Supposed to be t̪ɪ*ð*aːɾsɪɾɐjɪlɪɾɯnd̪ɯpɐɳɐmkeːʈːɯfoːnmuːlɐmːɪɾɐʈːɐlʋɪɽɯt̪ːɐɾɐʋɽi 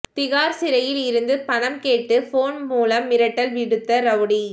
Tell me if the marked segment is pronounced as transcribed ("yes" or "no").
no